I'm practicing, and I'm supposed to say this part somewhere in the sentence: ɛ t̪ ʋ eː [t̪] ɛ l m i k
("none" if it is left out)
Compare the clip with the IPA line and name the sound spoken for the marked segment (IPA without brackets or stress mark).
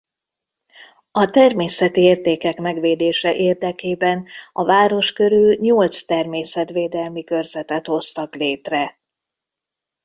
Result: d̪